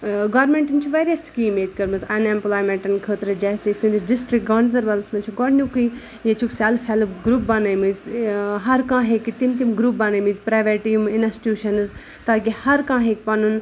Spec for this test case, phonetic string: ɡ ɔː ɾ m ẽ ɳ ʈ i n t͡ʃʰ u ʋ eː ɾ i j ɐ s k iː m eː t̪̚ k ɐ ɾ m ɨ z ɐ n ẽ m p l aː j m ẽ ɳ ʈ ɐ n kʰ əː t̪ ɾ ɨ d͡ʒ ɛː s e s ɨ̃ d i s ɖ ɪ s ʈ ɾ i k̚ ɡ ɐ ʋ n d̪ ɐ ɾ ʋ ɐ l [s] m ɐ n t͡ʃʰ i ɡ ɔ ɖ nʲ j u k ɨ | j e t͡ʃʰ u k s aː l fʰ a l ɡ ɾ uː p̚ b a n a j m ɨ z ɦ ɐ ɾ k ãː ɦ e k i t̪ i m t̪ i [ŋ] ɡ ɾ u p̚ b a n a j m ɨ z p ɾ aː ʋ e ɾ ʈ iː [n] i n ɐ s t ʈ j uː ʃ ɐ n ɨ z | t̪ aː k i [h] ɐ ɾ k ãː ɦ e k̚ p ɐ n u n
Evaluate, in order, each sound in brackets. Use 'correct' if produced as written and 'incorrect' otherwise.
correct, incorrect: m, incorrect: m, correct

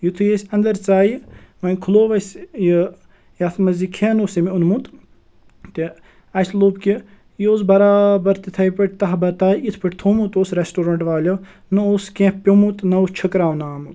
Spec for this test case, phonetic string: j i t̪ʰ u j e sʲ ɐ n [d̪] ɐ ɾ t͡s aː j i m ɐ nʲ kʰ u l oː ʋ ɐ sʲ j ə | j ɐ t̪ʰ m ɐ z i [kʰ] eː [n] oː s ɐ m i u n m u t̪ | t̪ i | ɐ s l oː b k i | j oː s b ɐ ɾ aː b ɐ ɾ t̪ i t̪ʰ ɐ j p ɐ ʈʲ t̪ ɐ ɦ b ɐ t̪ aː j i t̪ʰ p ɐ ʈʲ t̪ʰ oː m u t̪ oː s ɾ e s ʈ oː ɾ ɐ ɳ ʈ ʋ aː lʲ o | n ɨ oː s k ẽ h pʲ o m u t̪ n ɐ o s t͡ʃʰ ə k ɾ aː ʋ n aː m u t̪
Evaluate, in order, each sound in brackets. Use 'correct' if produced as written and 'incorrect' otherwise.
correct, correct, correct

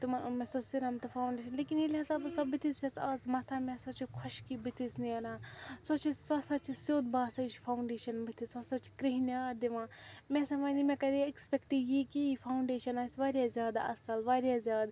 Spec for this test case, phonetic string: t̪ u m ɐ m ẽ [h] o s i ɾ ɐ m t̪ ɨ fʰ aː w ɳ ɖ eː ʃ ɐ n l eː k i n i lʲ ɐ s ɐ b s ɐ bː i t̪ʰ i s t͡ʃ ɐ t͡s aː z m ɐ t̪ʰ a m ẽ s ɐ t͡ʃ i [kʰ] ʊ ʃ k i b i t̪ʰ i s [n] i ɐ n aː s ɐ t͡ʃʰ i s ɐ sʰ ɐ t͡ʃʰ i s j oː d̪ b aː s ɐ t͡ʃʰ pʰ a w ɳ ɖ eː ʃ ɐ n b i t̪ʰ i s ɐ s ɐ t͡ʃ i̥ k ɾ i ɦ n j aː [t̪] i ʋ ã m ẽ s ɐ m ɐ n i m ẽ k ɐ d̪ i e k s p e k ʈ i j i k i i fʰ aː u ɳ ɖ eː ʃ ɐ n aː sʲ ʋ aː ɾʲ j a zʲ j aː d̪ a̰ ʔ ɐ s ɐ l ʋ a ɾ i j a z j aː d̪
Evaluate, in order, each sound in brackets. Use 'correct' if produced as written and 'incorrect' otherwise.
incorrect: s, correct, correct, incorrect: d̪

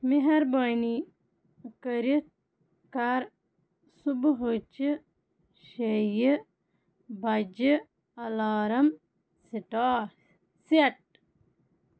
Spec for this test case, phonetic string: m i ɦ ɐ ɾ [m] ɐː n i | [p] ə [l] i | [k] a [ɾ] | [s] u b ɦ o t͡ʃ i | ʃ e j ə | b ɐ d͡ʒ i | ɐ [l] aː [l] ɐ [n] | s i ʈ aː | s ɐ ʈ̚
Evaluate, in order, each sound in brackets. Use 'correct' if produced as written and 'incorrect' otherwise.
incorrect: b, incorrect: k, incorrect: ɾ, correct, correct, correct, correct, incorrect: ɾ, incorrect: m

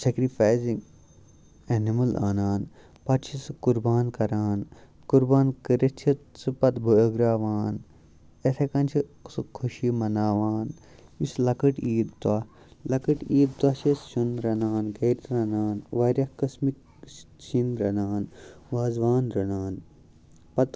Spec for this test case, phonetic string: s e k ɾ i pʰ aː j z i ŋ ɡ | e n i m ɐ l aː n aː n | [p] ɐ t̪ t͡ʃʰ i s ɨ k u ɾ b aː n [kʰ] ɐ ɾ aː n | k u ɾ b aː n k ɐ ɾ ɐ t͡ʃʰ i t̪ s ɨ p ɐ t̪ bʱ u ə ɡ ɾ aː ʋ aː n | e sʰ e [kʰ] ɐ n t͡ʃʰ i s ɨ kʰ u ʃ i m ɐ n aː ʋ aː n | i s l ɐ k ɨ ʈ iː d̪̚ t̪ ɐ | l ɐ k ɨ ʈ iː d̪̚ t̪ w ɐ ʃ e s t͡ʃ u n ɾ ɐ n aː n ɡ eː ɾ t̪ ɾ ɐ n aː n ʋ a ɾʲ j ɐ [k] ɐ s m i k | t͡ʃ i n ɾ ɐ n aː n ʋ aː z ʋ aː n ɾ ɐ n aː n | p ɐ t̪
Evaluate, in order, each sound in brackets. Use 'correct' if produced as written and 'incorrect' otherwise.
correct, incorrect: k, incorrect: k, correct

